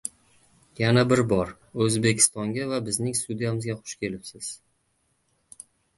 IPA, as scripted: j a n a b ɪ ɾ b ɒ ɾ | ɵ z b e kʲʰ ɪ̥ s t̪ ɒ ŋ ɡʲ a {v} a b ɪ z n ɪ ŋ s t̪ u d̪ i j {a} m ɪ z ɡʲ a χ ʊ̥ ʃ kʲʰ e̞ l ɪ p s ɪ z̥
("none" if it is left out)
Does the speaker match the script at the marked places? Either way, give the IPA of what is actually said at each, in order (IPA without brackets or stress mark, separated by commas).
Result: v, a